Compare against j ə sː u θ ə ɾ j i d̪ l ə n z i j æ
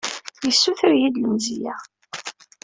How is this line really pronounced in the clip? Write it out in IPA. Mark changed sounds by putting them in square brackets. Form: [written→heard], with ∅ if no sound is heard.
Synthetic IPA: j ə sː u θ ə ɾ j i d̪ l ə [n→m] z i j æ